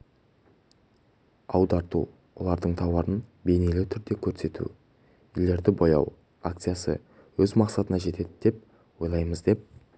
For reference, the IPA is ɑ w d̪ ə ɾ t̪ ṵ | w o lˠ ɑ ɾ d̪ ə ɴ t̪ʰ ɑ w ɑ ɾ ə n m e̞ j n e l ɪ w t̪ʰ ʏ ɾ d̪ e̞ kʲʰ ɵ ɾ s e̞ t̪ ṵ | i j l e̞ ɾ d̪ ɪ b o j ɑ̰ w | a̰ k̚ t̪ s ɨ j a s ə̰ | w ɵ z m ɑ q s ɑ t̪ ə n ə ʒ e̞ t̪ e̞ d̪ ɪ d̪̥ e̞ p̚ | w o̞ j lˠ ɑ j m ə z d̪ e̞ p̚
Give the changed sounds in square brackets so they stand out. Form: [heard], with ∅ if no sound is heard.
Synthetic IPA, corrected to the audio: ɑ w d̪ [ɑ] ɾ t̪ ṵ | w o lˠ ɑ ɾ d̪ ə ɴ t̪ʰ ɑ w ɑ ɾ ə n [b] e̞ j n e l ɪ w t̪ʰ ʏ ɾ d̪ e̞ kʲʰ ɵ ɾ s e̞ t̪ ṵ | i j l e̞ ɾ d̪ ɪ b o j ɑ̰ w | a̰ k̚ t̪ s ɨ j a s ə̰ | w ɵ z m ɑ q s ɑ t̪ ə n [ɑ] ʒ e̞ t̪ e̞ d̪ ɪ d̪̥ e̞ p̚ | w o̞ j lˠ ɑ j m ə z d̪ e̞ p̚

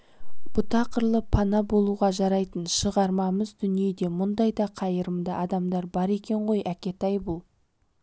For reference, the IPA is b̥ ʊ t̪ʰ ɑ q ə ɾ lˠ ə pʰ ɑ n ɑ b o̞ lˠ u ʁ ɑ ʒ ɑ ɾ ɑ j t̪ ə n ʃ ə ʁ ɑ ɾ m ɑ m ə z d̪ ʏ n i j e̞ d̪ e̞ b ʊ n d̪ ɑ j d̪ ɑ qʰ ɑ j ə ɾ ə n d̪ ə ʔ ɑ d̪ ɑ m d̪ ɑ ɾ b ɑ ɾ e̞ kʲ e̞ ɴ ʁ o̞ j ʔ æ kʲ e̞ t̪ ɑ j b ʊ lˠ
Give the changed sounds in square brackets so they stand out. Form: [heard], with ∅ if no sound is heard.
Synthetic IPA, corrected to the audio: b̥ ʊ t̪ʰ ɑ q ə ɾ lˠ ə pʰ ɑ n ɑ b o̞ lˠ u ʁ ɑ ʒ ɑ ɾ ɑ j t̪ ə n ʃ ə ʁ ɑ ɾ m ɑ m ə z d̪ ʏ n i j e̞ d̪ e̞ [m] ʊ n d̪ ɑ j d̪ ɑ qʰ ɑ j ə ɾ ə [m] d̪ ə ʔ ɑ d̪ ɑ m d̪ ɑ ɾ b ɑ ɾ e̞ kʲ e̞ ɴ ʁ o̞ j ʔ æ kʲ e̞ t̪ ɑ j b ʊ lˠ

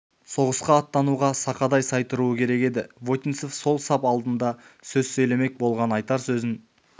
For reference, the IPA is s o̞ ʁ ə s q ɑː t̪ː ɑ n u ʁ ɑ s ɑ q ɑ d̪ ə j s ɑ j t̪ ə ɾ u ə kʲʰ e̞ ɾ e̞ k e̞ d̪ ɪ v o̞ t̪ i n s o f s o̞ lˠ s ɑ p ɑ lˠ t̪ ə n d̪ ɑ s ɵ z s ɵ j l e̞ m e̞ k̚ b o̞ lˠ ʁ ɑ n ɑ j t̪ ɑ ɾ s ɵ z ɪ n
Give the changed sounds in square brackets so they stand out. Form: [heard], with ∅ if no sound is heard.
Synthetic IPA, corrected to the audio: s o̞ ʁ ə s q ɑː t̪ː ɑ n u ʁ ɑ s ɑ q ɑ d̪ [ɑ] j s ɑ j t̪ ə ɾ u ə kʲʰ e̞ ɾ e̞ k e̞ d̪ ɪ v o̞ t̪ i n s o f s o̞ lˠ s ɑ p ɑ lˠ [d̪] ə n d̪ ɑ s ɵ z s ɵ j l e̞ m e̞ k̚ b o̞ lˠ ʁ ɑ n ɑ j t̪ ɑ ɾ s ɵ z ɪ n

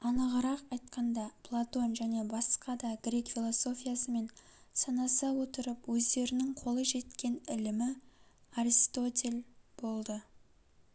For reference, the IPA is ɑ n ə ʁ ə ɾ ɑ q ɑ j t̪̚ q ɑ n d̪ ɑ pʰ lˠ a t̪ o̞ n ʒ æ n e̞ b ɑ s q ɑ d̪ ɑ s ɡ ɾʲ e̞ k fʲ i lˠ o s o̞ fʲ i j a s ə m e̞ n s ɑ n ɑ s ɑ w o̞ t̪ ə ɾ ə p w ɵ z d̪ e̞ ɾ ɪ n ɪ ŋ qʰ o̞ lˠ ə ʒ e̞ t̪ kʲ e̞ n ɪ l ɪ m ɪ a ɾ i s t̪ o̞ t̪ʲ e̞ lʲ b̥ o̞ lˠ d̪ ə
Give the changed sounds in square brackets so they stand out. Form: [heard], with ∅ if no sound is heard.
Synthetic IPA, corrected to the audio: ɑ n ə ʁ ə ɾ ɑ q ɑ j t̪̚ q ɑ n d̪ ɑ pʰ lˠ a t̪ o̞ n ʒ æ n e̞ b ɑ s q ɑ d̪ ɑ [∅] ɡ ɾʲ e̞ k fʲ i lˠ o s o̞ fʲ i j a s ə m e̞ n s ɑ n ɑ s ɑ w o̞ t̪ ə ɾ ə p w ɵ z d̪ e̞ ɾ ɪ n ɪ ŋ qʰ o̞ lˠ ə ʒ e̞ t̪ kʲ e̞ n ɪ l ɪ m ɪ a ɾ i s t̪ o̞ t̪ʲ e̞ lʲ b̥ o̞ lˠ d̪ ə

